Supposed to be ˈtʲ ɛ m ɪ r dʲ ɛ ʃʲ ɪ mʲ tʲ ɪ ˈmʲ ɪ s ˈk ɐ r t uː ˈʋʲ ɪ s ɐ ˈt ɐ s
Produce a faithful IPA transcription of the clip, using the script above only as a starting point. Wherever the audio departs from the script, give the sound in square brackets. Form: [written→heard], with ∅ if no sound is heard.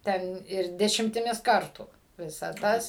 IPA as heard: ˈtʲ ɛ [m→n] ɪ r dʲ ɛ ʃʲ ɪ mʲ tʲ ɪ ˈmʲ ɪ s ˈk ɐ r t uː ˈʋʲ ɪ s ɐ ˈt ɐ s

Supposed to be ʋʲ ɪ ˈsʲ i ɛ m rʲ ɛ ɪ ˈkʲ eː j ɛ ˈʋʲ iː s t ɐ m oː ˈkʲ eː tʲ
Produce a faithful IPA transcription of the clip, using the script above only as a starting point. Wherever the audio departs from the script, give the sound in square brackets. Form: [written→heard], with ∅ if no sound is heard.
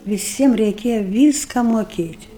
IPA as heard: ʋʲ ɪ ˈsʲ i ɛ m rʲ ɛ ɪ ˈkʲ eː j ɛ ˈʋʲ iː s [t→k] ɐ m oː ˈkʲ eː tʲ

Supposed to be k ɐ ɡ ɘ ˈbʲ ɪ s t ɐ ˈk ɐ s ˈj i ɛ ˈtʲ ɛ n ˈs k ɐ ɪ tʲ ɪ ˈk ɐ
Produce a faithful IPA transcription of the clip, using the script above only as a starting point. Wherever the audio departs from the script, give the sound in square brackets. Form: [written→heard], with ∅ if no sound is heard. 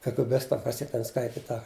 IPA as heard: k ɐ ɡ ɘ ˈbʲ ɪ s t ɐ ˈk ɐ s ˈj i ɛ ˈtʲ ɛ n ˈs k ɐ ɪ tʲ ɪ [ˈk→ˈt] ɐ

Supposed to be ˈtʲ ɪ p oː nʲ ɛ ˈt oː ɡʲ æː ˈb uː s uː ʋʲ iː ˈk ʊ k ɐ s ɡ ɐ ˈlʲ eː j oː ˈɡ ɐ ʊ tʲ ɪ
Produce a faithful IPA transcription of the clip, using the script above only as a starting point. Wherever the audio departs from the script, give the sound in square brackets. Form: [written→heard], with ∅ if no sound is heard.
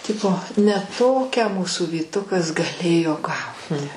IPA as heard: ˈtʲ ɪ p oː nʲ ɛ ˈt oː [ɡʲ→kʲ] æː [ˈb→ˈm] uː s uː ʋʲ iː [ˈk→ˈt] ʊ k ɐ s ɡ ɐ ˈlʲ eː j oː ˈɡ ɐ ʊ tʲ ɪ

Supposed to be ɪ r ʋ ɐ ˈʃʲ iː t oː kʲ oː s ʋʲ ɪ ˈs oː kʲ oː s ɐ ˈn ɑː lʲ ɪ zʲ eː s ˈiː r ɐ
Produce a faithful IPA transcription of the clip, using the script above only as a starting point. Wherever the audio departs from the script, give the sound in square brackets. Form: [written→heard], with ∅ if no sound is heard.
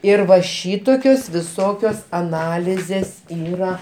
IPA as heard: ɪ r ʋ ɐ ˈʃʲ iː t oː kʲ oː s ʋʲ ɪ ˈs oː kʲ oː s ɐ ˈn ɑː lʲ ɪ zʲ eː s ˈiː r ɐ

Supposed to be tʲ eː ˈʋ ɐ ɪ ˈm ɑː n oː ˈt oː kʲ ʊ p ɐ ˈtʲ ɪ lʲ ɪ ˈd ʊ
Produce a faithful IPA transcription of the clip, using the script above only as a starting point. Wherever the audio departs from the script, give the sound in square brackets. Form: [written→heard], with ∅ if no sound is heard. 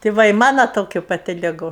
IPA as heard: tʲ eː ˈʋ ɐ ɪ ˈm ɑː n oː ˈt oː kʲ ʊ p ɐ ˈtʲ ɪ lʲ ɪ [ˈd→ˈɡ] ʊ

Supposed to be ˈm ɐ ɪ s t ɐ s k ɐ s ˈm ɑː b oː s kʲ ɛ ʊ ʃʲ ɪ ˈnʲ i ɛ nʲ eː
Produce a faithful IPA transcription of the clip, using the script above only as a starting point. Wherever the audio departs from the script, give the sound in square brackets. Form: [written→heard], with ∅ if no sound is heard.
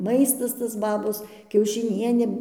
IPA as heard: ˈm ɐ ɪ s t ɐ s [k→t] ɐ s [ˈm→ˈb] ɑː b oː s kʲ ɛ ʊ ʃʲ ɪ ˈnʲ i ɛ nʲ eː

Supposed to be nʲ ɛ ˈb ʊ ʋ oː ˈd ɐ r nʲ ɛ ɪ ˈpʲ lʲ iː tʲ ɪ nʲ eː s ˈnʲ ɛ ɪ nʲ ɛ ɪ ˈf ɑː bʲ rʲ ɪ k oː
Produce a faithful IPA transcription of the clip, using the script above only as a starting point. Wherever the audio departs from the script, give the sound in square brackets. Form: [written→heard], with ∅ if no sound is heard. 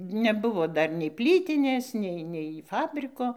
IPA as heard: nʲ ɛ ˈb ʊ ʋ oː ˈd ɐ r nʲ ɛ ɪ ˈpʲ lʲ iː tʲ ɪ nʲ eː s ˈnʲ ɛ ɪ nʲ ɛ ɪ ˈf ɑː bʲ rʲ ɪ k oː

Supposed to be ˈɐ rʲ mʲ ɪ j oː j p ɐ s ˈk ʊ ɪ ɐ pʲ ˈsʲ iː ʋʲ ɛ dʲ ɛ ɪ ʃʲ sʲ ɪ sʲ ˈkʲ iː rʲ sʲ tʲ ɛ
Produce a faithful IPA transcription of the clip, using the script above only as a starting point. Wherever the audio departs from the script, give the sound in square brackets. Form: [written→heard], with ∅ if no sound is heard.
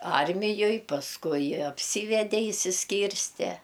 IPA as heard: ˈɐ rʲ mʲ ɪ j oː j p ɐ s ˈk ʊ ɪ ɐ pʲ ˈsʲ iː ʋʲ ɛ dʲ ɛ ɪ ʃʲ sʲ ɪ sʲ ˈkʲ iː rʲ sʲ tʲ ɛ

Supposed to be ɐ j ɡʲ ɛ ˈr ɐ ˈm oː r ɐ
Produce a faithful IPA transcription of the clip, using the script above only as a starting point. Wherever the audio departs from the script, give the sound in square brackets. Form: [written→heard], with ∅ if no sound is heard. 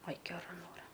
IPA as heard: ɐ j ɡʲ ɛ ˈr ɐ [ˈm→ˈn] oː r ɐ

